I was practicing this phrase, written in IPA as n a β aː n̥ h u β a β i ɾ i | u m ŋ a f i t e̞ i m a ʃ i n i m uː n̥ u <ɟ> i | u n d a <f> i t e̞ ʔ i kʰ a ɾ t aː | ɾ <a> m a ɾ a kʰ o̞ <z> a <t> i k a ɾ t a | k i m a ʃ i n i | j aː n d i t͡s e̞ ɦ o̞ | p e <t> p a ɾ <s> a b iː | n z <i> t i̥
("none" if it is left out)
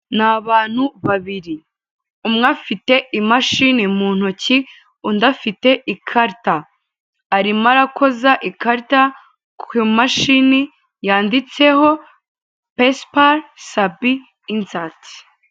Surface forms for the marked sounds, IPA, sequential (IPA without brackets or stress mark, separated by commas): c, f, i, z, ʔ, s, s, a